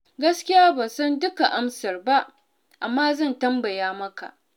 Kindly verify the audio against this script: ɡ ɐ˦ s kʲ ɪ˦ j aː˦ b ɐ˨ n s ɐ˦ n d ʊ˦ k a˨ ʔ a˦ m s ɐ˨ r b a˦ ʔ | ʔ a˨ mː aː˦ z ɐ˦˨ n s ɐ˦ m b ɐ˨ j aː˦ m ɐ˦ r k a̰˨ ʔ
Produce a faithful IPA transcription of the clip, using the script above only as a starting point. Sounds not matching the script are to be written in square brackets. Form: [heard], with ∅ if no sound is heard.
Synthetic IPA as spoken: ɡ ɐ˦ s kʲ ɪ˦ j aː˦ b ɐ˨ n s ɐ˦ n d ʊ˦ k a˨ ʔ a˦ m s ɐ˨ r b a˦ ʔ | ʔ a˨ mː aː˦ z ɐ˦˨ n [t] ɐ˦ m b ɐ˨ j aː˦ m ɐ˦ [∅] k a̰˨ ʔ

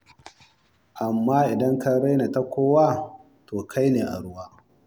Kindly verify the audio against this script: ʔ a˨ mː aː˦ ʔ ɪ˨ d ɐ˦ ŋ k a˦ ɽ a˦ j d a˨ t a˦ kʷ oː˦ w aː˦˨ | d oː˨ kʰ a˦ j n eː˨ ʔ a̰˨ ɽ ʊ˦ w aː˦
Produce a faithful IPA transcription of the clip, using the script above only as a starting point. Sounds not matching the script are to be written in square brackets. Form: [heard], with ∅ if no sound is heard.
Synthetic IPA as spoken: ʔ a˨ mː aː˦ ʔ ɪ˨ d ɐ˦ ŋ k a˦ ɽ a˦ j [n] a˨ t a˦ kʷ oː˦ w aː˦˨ | [t] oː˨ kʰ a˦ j n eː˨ ʔ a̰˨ ɽ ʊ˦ w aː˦

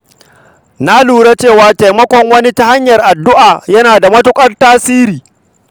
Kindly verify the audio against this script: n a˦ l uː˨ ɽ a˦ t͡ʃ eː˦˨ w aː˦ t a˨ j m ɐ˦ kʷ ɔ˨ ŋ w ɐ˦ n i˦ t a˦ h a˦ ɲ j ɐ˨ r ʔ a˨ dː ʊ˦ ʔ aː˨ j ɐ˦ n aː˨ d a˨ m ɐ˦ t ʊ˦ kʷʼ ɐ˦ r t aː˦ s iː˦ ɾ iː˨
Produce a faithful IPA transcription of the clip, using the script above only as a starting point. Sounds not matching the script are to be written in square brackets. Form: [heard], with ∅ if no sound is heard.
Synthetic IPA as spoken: n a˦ l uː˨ ɽ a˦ t͡ʃ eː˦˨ w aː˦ t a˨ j m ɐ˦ kʷ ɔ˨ ŋ w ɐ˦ n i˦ t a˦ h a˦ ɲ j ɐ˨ r ʔ a˨ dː ʊ˦ ʔ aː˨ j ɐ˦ n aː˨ d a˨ m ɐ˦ t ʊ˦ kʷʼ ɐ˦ r t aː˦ s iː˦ ɾ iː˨

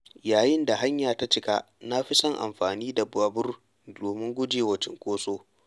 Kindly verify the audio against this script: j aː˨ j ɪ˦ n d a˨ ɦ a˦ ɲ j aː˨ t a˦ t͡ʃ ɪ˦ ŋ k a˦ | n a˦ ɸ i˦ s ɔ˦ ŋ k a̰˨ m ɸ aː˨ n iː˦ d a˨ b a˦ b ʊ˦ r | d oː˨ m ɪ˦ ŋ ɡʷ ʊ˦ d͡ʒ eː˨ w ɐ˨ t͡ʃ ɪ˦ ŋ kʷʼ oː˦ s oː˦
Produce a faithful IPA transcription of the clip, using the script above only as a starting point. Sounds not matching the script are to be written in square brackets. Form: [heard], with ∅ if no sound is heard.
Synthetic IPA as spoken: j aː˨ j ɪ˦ n d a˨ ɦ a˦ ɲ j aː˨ t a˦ t͡ʃ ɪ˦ [∅] k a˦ | n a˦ ɸ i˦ s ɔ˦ ŋ [ʔ] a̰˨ m ɸ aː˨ n iː˦ d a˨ b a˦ b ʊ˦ r | d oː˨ m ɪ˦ ŋ ɡʷ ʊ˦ d͡ʒ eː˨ w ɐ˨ t͡ʃ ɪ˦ ŋ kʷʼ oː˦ s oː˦

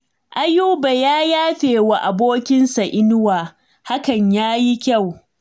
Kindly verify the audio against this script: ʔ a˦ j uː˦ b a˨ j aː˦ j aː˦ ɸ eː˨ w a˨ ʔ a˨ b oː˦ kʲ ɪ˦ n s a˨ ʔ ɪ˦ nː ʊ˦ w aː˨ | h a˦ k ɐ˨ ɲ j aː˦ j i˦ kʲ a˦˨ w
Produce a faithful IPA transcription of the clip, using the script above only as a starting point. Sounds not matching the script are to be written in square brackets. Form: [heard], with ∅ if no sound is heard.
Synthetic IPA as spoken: ʔ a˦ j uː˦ b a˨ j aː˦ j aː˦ ɸ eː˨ w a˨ ʔ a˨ b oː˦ kʲ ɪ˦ n s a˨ ʔ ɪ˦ [n] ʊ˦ w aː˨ | h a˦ k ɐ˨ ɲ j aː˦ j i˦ kʲ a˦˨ w

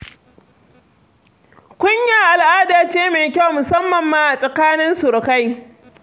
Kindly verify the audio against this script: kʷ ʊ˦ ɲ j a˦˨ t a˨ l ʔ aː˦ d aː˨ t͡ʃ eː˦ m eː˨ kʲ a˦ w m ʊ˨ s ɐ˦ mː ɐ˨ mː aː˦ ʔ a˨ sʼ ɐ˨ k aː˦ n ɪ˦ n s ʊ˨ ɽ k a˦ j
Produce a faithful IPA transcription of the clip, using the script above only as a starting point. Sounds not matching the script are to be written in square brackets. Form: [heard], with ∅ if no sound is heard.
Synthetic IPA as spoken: kʷ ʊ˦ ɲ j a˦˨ [ʔ] a˨ l ʔ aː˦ d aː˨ t͡ʃ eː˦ m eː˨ kʲ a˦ w m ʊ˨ s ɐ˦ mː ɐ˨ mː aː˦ ʔ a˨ sʼ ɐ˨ k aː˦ n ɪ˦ n s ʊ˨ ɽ k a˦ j

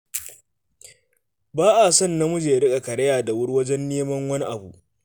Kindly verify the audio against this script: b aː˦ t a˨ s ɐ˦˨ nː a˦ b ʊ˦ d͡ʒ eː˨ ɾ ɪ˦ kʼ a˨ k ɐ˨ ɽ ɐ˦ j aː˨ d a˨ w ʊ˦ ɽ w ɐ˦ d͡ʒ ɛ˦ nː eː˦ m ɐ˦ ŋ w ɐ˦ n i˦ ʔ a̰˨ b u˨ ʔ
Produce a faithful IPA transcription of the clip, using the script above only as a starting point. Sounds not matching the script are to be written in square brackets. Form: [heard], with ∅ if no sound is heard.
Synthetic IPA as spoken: b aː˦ [ʔ] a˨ s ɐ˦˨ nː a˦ [m] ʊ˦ d͡ʒ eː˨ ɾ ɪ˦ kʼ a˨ k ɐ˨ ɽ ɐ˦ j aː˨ d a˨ w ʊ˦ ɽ w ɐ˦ d͡ʒ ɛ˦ nː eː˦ m ɐ˦ ŋ w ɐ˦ n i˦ ʔ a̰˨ b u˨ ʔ

